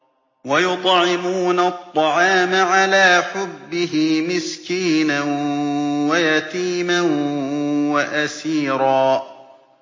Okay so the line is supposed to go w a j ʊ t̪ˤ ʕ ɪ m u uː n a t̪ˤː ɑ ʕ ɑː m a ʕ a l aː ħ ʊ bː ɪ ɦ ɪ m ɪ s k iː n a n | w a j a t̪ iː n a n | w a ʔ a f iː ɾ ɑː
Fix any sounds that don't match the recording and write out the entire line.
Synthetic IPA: w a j ʊ t̪ˤ ʕ ɪ m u uː n a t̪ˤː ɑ ʕ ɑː m a ʕ a l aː ħ ʊ bː ɪ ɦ ɪ m ɪ s k iː n a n | w a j a t̪ iː m a n | w a ʔ a s iː ɾ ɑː